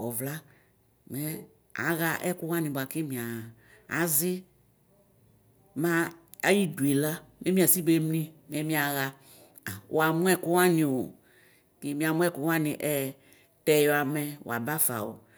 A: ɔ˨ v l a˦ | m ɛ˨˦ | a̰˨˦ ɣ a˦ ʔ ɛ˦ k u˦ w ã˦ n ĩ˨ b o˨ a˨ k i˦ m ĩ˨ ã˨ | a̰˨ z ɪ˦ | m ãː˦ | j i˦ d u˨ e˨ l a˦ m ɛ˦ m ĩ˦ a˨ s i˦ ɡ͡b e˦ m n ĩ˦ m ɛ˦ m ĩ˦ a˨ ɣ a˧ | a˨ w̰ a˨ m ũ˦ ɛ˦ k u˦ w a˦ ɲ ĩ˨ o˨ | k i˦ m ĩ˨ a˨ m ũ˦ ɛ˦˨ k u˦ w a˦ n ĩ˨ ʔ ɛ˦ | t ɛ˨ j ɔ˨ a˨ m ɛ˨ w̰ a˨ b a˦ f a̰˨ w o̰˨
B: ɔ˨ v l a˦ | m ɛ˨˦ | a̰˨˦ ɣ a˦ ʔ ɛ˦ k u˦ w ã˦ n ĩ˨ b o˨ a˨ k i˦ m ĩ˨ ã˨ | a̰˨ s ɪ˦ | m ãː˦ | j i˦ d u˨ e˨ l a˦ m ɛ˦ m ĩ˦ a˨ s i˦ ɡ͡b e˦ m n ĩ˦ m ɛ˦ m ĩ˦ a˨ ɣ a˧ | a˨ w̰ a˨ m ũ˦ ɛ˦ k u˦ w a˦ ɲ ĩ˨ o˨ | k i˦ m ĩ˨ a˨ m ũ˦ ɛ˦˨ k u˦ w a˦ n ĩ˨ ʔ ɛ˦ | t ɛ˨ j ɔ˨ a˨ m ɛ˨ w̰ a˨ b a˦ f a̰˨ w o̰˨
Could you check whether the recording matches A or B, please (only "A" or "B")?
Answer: A